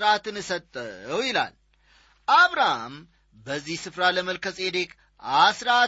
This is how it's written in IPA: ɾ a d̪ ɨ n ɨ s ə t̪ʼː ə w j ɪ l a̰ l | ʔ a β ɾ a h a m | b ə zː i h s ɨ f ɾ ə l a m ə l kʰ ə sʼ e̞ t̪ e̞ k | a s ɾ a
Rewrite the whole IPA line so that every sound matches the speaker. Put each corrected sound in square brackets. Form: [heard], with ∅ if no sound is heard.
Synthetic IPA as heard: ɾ a [t̪] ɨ n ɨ s ə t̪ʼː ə w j ɪ l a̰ l | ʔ a β ɾ a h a m | b ə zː i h s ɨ f ɾ [a] l [ə] m ə l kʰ ə sʼ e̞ [d̪] e̞ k | a s ɾ a